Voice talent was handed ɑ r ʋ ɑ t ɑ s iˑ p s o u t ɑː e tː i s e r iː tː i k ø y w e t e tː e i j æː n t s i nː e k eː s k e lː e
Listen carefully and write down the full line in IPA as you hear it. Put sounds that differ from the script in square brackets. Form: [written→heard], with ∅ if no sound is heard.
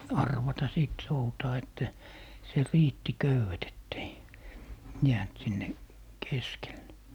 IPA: ɑ r ʋ ɑ t ɑ s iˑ [p→t] s o u t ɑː e tː [i→æ] s e r iː tː i k ø y w e t e tː e i j æː n t s i nː e k [eː→e] s k e lː e